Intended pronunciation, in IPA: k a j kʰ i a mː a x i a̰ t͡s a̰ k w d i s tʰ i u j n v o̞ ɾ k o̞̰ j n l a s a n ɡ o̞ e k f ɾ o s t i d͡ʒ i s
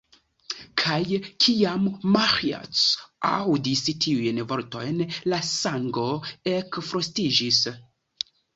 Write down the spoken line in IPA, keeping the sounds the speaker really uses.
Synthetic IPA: kʰ a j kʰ i a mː a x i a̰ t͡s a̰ w d i s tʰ i u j n v o̞ ɾ t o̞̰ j n l a s a ŋ ɡ o̞ e k f ɾ o s t i d͡ʒ i s

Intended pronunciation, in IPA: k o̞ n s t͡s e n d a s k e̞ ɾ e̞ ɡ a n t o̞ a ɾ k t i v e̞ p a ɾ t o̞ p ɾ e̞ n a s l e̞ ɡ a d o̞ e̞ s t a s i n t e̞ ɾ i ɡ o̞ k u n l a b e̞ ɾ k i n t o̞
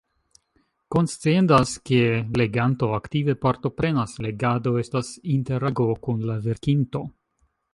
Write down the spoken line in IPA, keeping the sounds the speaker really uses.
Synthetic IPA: k o̞ n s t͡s e n d a s k e̞ l e̞ ɡ a n t o̞ a k t i v e̞ p a ɾ t o̞ p ɾ e̞ n a s l e̞ ɡ a d o̞ e̞ s t a s i n t e̞ ɾ a ɡ o̞ k u n l a v e̞ ɾ k i n t o̞

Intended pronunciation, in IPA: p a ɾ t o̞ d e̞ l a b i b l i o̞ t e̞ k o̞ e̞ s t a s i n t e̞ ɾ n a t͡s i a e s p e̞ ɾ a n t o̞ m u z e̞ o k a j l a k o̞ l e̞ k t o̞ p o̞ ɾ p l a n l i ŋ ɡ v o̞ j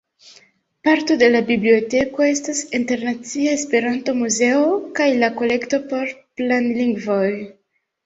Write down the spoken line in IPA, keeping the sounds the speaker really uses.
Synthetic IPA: p a ɾ t o̞ d e̞ l a b i b l i o̞ t e̞ k o̞ e̞ s t a s i n t e̞ ɾ n a t͡s i a e s p e̞ ɾ a n t o̞ m u z e̞ o k a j l a k o̞ l e̞ k t o̞ p o̞ ɾ p l a n l i ŋ ɡ v o̞ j

